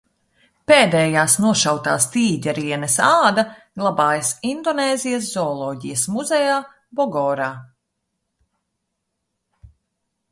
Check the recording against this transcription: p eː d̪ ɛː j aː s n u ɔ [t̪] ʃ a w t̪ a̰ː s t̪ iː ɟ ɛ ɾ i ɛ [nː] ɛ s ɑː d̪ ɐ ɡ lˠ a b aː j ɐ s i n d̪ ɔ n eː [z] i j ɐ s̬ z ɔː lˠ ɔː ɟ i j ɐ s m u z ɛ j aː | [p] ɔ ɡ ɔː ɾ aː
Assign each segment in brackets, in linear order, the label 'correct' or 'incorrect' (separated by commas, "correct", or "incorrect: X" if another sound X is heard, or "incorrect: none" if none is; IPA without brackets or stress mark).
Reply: incorrect: none, incorrect: n, correct, incorrect: b